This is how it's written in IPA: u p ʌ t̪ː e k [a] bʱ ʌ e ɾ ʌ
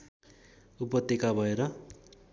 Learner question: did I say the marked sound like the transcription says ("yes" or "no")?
yes